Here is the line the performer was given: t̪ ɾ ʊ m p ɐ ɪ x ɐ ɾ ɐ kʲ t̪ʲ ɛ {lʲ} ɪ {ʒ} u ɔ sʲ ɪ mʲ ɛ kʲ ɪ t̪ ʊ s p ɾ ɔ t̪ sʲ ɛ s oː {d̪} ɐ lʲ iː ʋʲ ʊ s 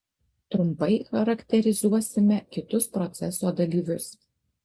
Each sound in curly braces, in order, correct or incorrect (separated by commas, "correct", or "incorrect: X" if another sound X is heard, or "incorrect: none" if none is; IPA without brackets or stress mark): incorrect: ɾʲ, incorrect: z, correct